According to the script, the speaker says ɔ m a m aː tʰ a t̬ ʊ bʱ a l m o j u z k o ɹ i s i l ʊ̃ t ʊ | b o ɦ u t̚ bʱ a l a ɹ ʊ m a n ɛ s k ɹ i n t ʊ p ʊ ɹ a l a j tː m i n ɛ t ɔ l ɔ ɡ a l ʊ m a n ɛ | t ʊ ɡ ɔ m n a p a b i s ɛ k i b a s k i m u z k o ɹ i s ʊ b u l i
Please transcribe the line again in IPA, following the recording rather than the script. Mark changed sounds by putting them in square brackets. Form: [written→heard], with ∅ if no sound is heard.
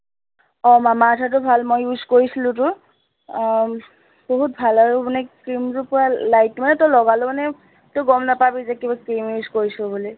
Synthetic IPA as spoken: ɔ m a m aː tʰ a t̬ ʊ bʱ a l m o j u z k o ɹ i s i l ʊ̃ t ʊ | b o ɦ u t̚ bʱ a l a ɹ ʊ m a n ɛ s k ɹ i [n→m] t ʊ p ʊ ɹ a l a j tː m [i→a] n ɛ t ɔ l ɔ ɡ a l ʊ m a n ɛ | t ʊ ɡ ɔ m n a p a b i [s→z] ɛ k i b a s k i m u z k o ɹ i s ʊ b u l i